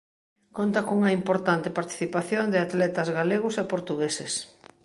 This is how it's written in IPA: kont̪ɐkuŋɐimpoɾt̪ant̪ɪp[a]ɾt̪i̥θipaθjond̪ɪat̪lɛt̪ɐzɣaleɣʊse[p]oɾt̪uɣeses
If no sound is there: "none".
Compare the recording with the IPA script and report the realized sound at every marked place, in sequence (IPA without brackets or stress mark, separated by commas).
a, p